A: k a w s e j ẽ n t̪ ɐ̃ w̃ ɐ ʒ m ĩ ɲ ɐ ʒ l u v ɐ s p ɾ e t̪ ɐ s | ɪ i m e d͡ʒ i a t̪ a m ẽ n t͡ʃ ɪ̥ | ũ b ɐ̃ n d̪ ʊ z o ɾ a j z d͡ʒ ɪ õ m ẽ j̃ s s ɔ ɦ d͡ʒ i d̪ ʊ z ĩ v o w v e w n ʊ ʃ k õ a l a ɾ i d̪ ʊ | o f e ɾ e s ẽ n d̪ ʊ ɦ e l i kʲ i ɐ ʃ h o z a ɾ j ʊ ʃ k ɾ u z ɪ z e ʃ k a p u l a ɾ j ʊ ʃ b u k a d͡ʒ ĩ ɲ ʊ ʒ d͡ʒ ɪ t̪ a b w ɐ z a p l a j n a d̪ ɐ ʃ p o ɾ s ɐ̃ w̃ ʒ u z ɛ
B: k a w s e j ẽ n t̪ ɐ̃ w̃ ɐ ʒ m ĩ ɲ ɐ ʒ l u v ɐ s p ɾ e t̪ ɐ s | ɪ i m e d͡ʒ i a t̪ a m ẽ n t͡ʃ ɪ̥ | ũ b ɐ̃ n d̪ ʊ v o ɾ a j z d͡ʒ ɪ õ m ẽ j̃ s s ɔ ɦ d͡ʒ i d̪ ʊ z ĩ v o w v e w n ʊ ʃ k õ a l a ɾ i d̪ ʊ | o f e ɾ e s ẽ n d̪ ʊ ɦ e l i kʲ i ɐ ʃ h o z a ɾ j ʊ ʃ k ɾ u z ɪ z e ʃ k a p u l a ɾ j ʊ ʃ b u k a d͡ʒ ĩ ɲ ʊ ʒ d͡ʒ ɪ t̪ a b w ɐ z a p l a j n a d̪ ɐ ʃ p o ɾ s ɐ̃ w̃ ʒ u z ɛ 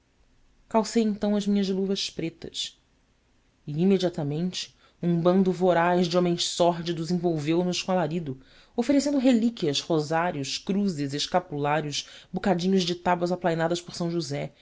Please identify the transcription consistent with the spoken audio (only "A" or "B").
B